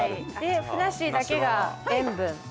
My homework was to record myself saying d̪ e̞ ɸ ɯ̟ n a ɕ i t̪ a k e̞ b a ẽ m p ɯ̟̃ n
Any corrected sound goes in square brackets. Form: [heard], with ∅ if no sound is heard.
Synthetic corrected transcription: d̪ e̞ ɸ ɯ̟ n a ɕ i [d̪] a k e̞ [ɡ] a ẽ m [b] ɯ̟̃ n